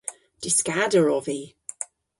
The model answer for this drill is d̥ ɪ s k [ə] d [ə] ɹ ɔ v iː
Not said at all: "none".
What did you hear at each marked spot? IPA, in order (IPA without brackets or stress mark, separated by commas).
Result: a, ə